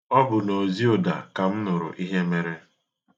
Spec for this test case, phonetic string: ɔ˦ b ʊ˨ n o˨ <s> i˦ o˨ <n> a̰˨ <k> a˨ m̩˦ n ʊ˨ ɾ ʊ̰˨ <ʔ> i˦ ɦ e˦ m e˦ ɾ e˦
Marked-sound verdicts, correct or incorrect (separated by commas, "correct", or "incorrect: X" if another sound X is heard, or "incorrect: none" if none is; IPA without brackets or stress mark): incorrect: z, incorrect: d, correct, correct